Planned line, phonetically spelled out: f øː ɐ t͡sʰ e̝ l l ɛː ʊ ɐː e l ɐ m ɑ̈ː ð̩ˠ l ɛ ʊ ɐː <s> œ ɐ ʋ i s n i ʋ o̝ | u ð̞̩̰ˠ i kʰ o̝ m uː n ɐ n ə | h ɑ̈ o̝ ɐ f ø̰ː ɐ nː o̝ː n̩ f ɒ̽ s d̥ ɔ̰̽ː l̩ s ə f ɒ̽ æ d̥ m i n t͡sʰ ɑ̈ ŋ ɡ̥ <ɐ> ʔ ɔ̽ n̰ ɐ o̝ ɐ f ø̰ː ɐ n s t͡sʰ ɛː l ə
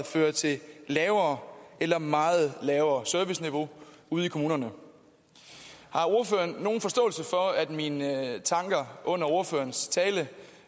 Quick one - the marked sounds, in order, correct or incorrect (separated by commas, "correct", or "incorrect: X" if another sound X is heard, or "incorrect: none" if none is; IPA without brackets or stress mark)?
correct, correct